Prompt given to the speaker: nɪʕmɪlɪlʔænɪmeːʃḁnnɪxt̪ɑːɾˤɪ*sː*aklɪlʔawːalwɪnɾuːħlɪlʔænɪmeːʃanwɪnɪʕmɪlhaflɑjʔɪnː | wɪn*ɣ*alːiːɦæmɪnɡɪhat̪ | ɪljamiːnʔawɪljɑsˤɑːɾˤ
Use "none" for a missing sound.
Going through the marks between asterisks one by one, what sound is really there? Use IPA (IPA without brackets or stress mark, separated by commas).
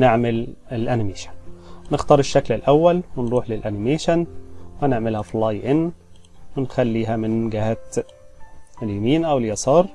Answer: ʃː, x